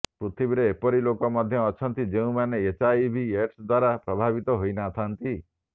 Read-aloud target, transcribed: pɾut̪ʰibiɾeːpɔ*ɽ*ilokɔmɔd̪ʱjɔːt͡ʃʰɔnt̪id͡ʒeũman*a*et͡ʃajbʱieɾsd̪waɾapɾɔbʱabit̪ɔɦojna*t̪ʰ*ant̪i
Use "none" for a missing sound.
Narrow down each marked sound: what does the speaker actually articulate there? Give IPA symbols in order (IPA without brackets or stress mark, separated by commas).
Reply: ɾ, e, t̪ʰ